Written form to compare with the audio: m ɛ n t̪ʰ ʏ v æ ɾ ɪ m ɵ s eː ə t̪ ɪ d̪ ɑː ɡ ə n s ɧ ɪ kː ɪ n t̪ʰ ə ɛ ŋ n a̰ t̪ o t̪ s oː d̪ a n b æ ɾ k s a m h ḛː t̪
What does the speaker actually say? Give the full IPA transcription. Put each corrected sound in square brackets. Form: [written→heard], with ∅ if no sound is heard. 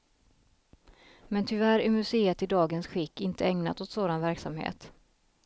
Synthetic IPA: m ɛ n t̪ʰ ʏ v æ ɾ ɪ m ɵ s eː ə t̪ ɪ d̪ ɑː ɡ ə n s ɧ ɪ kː ɪ n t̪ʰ ə ɛ ŋ n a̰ t̪ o t̪ s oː d̪ a n [b→v] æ ɾ k s a m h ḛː t̪